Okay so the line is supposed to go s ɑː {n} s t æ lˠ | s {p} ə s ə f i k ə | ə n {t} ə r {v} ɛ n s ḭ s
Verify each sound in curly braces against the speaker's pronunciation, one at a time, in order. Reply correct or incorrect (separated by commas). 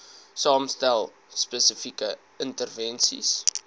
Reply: incorrect, correct, correct, correct